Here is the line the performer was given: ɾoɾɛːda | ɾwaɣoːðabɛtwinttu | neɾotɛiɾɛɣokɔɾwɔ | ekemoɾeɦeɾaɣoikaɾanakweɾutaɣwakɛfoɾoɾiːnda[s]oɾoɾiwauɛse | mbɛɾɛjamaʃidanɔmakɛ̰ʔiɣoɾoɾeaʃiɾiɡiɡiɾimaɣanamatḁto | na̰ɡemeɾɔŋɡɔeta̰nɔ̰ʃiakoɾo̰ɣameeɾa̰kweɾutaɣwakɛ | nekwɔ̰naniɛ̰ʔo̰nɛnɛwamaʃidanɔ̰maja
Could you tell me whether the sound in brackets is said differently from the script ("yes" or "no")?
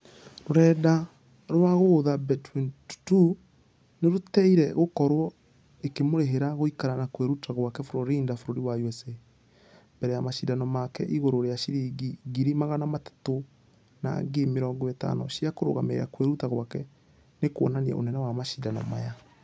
yes